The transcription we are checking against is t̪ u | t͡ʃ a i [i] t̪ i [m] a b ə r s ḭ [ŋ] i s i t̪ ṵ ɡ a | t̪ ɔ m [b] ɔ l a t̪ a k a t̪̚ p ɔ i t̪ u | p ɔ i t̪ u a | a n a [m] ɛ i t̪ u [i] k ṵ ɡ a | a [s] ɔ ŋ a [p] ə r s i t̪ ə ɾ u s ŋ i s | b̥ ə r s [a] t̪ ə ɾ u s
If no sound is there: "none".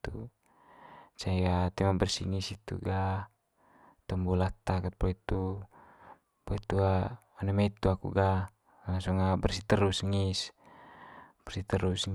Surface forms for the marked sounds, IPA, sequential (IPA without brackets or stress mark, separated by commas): a, m, ŋ, b, m, a, s, b, i